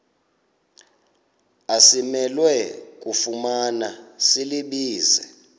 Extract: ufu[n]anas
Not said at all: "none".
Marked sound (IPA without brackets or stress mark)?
m